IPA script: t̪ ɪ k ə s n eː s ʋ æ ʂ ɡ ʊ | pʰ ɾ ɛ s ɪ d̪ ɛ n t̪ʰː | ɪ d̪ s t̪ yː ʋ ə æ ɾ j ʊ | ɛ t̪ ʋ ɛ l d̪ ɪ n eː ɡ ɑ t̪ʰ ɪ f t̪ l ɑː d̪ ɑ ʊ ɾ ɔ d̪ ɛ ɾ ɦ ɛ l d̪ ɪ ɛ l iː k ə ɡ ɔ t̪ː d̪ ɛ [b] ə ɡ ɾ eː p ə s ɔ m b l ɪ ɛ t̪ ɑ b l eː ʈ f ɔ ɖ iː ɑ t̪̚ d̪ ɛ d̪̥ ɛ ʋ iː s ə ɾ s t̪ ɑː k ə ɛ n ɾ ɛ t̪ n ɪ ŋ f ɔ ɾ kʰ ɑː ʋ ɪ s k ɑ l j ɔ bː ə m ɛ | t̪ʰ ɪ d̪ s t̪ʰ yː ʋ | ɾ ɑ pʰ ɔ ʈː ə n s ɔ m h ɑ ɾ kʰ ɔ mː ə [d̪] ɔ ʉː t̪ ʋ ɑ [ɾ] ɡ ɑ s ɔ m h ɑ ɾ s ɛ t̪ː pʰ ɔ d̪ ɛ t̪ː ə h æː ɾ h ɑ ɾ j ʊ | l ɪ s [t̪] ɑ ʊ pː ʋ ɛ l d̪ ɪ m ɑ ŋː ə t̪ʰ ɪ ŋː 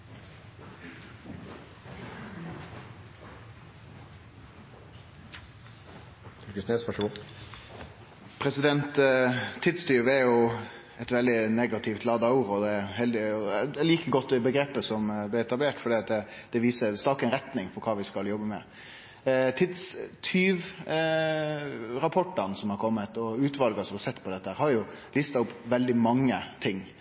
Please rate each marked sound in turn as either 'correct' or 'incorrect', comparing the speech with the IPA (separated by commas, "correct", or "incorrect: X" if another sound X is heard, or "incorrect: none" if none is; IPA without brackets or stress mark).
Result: correct, incorrect: t̪, incorrect: l, correct